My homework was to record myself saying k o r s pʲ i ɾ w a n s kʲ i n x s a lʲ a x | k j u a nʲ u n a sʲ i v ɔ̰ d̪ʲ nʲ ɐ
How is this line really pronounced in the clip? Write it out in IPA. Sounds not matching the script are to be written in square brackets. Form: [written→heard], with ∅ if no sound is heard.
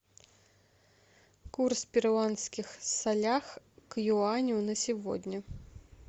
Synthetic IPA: k [o→u] r s pʲ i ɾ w a n s kʲ i [n→∅] x s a lʲ a x | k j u a nʲ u n [a→ɐ] sʲ i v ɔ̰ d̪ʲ nʲ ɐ